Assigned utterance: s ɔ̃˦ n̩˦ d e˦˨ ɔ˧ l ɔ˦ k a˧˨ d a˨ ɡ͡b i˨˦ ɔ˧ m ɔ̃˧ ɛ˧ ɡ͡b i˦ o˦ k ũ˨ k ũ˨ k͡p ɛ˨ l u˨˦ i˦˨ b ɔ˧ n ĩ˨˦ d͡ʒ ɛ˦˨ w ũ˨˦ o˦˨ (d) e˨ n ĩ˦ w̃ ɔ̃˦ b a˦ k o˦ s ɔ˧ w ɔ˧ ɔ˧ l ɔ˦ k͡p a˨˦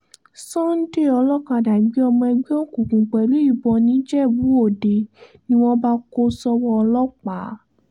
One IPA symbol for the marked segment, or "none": d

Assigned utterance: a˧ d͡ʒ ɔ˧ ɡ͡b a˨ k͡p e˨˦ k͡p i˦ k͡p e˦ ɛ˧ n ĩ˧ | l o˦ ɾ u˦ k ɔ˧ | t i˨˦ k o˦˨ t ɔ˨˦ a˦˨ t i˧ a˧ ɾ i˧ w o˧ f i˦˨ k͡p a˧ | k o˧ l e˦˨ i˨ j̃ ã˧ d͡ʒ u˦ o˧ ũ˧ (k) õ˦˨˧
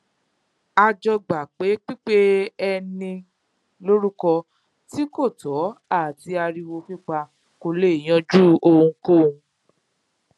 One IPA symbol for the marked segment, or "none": k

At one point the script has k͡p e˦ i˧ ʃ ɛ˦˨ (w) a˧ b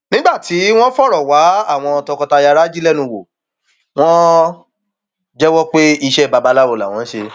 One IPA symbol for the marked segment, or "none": b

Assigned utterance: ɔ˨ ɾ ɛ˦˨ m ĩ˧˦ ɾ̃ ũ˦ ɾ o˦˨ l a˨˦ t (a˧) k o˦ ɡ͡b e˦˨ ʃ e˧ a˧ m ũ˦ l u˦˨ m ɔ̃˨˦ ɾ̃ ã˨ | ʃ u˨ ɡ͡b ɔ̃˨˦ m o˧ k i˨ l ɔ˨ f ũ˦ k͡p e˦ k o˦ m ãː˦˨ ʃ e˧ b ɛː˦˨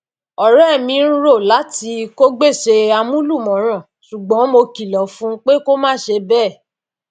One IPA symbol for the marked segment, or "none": i˧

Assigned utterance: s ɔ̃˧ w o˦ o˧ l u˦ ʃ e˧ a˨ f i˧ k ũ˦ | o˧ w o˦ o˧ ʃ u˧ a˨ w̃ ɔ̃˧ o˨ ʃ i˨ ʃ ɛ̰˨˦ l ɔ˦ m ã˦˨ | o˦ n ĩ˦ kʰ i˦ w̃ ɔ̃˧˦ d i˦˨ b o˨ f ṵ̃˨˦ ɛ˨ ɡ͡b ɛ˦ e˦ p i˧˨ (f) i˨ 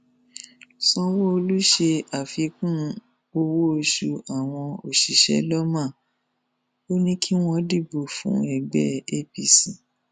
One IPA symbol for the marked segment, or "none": s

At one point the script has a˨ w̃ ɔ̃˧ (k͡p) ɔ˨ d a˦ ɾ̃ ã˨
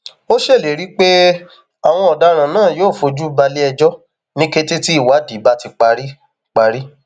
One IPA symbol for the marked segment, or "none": none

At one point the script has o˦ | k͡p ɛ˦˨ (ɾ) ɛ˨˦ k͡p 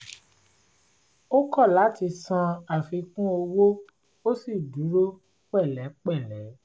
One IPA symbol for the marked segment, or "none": l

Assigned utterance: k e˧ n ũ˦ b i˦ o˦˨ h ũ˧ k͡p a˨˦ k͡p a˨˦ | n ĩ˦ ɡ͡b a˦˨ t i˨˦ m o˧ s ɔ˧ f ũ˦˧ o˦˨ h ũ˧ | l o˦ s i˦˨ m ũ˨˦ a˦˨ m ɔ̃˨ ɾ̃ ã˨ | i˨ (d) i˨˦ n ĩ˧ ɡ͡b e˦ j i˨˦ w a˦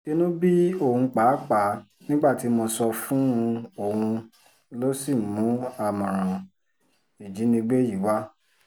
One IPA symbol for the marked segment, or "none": d͡ʒ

